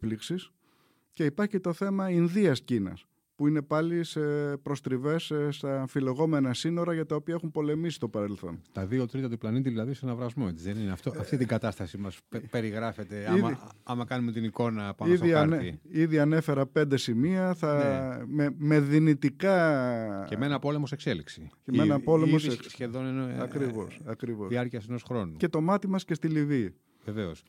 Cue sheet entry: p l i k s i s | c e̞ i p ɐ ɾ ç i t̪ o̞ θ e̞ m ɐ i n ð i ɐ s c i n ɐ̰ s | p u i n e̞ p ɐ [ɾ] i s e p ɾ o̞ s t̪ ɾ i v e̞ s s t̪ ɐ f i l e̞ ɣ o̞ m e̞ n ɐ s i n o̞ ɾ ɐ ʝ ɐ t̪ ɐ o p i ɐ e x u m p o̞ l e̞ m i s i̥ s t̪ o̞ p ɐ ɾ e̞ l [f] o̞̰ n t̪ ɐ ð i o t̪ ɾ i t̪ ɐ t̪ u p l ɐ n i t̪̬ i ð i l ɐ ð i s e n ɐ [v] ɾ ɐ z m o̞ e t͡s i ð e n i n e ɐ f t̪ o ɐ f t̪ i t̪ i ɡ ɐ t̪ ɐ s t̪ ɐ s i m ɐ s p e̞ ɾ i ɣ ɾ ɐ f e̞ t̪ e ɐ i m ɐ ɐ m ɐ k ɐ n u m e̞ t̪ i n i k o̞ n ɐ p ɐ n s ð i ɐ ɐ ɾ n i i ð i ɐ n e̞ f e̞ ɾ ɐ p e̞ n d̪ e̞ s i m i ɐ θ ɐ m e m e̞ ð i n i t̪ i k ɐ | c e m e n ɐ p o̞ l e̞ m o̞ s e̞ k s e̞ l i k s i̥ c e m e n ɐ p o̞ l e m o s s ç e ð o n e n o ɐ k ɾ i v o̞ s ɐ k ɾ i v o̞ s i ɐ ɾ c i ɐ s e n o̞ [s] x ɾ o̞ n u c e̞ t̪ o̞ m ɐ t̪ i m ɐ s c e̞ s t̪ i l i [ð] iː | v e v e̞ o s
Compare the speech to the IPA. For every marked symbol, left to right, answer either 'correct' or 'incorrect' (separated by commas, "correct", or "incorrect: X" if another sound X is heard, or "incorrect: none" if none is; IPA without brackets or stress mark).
incorrect: l, incorrect: θ, correct, correct, incorrect: v